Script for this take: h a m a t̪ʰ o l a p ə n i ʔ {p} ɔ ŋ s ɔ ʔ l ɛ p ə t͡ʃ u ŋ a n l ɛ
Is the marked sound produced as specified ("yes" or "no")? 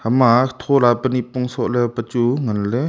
yes